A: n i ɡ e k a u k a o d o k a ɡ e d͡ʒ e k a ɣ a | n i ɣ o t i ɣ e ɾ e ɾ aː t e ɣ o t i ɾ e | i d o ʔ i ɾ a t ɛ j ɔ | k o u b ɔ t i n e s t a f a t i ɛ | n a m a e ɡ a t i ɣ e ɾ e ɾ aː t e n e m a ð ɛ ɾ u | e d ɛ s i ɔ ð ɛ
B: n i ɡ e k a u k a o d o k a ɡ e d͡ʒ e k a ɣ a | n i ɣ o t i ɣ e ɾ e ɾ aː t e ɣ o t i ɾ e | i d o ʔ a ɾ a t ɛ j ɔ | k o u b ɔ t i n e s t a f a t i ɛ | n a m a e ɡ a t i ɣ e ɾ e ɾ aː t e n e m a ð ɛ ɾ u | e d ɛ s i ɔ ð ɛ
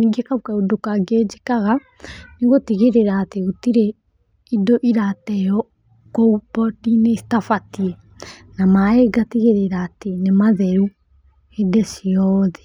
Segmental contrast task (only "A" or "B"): A